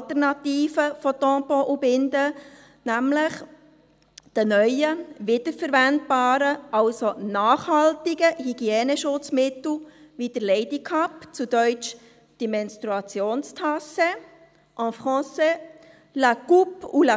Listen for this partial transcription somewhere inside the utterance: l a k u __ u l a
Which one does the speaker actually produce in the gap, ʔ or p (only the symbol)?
p